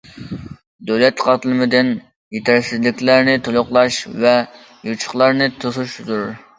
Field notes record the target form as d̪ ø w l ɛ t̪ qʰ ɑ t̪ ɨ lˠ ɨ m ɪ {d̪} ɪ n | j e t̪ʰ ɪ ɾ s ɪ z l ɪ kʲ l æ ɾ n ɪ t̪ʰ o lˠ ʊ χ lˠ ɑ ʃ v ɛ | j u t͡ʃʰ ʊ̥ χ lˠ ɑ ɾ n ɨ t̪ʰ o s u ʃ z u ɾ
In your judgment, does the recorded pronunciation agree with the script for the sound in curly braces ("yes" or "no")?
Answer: yes